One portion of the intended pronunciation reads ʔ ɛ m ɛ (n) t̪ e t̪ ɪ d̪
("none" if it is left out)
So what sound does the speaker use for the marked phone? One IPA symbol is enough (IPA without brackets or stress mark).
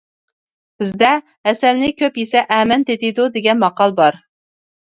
n